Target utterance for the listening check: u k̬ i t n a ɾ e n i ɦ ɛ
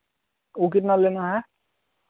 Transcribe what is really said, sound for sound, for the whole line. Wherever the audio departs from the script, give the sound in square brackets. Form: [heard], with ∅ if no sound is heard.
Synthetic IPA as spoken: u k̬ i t n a [l] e n [a] ɦ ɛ